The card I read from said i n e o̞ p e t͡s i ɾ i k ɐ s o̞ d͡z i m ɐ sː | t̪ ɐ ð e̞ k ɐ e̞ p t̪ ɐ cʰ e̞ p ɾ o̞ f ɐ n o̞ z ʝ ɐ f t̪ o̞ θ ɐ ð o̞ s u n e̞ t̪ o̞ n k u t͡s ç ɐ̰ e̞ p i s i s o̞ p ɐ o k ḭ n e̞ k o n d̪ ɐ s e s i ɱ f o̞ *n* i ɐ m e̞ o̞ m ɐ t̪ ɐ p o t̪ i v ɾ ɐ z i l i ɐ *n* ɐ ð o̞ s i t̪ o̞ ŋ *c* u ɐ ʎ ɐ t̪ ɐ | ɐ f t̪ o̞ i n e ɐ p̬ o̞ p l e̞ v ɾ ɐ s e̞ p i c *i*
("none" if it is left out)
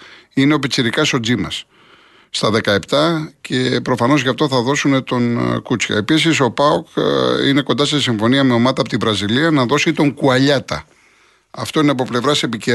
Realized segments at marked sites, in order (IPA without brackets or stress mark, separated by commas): n, n, k, e